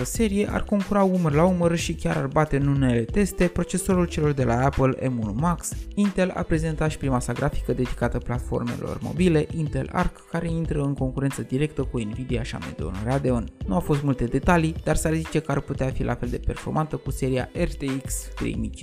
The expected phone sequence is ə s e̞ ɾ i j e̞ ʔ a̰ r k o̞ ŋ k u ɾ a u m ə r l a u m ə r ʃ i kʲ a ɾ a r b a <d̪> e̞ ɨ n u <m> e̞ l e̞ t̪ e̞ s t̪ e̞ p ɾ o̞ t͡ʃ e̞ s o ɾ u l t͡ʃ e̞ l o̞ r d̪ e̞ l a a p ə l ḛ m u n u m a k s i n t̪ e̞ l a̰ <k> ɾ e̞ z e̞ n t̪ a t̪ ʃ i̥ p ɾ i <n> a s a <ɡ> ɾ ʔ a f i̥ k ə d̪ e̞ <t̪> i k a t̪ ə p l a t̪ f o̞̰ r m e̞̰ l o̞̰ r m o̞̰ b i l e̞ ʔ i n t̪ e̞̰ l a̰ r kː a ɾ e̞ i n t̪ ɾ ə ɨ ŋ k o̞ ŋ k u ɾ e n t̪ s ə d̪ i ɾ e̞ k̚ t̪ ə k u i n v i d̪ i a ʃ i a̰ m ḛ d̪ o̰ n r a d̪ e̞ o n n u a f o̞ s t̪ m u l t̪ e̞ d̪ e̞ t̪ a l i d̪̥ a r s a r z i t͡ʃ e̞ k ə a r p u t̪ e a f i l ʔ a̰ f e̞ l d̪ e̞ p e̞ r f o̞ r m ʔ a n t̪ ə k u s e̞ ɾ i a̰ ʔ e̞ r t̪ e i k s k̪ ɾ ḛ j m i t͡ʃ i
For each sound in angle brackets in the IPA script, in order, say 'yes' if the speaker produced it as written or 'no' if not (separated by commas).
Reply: no, no, no, no, yes, no